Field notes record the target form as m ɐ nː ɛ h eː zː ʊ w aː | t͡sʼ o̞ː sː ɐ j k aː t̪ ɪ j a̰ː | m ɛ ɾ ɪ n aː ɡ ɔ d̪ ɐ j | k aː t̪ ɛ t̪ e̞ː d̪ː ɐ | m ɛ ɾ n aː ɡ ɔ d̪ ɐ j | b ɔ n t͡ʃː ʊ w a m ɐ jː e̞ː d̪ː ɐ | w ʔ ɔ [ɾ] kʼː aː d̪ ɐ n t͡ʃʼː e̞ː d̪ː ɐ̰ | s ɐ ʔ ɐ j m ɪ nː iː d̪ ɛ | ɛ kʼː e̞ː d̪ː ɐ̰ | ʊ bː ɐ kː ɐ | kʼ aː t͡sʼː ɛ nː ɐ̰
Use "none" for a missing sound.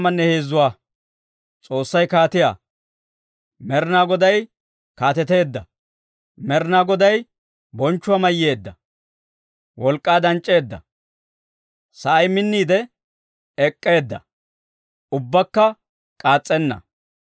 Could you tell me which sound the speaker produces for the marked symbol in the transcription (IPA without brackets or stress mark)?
l